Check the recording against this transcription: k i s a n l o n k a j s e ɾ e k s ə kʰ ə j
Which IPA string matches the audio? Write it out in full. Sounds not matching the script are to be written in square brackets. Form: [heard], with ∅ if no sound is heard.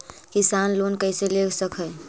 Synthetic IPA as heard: k i s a n l o n k [ə] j s e [l] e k s ə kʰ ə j